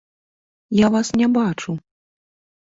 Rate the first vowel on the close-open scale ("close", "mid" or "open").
open